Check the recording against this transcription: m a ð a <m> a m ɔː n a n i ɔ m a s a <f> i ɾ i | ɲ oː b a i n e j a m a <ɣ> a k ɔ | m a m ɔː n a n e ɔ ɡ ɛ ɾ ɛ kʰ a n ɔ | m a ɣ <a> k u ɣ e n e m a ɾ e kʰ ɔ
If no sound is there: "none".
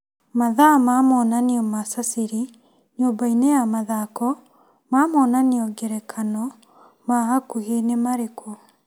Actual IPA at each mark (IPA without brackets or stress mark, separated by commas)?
m, s, ð, a